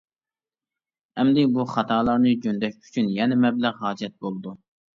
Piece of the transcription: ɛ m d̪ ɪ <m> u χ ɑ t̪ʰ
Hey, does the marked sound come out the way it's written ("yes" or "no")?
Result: no